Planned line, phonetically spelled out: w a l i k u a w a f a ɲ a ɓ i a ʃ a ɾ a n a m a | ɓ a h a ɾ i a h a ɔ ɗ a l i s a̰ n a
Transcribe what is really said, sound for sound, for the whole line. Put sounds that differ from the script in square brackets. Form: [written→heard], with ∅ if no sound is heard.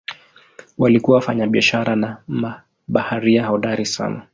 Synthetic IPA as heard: w a l i k u a w a f a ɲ a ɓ i a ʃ a ɾ a n a m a | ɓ a h a ɾ i a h a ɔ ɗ a [l→ɾ] i s a̰ n a